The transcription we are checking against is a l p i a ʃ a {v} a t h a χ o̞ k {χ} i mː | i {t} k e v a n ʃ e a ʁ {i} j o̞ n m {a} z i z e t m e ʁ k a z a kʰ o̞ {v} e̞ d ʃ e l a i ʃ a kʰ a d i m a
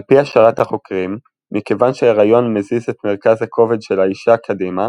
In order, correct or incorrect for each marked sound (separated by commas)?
incorrect, incorrect, incorrect, incorrect, incorrect, correct